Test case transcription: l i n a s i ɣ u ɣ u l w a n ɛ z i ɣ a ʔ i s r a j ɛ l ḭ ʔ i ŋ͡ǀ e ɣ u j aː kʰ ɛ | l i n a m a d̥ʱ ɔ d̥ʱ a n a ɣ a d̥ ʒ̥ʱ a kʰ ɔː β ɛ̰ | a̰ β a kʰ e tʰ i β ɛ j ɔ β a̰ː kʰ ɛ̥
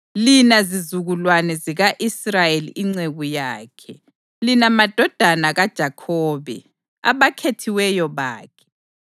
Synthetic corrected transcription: l i n a z i z u ɣ u l w a n ɛ z i ɣ a ʔ i s r a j e l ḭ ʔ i ŋ͡ǀ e ɣ u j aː kʰ ɛ | l i n a m a d̥ʱ ɔ d̥ʱ a n a ɣ a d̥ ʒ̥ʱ a kʰ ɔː β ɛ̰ | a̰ β a kʰ e tʰ i w ɛ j ɔ β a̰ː kʰ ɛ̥